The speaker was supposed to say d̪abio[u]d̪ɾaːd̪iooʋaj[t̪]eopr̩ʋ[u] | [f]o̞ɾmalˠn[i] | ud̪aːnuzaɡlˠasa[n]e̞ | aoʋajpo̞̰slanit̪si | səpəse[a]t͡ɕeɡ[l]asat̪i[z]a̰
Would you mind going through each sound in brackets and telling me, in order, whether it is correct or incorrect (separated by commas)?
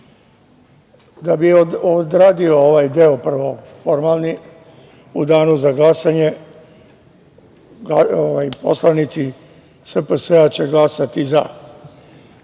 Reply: incorrect, incorrect, incorrect, correct, correct, incorrect, correct, correct, correct